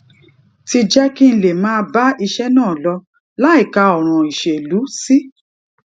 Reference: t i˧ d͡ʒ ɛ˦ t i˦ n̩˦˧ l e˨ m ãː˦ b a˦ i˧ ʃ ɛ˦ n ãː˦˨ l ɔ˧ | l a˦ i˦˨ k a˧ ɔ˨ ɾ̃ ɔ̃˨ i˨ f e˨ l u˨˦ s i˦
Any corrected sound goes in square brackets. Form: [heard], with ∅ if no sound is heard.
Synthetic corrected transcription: t i˧ d͡ʒ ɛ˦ [k] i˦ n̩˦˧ l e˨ m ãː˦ b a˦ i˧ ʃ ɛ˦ n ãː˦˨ l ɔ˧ | l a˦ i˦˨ k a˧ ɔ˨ ɾ̃ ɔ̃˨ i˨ [ʃ] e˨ l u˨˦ s i˦